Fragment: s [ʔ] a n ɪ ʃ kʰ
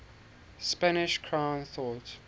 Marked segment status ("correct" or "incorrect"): incorrect